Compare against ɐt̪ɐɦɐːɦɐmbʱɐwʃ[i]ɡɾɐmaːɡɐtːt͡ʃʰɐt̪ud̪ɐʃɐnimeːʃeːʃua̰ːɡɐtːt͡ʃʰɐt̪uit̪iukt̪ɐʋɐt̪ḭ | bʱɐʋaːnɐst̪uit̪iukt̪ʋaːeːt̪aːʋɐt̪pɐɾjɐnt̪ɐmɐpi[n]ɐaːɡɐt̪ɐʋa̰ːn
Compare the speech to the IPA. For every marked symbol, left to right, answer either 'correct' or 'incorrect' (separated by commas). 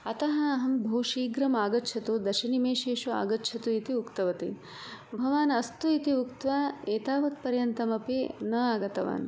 incorrect, correct